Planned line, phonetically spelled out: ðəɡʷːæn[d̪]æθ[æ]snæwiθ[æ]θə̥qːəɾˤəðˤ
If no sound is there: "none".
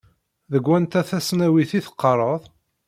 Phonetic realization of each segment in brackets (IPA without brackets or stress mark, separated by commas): t̪, æ, i